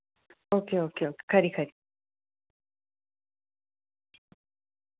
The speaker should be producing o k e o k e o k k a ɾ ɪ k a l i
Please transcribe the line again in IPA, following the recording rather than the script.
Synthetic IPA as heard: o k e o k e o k k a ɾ i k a ɾ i